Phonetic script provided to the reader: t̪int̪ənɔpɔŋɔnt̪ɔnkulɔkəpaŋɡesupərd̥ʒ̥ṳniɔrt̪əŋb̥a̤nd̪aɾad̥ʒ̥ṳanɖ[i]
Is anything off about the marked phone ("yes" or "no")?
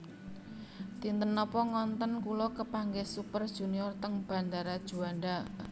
yes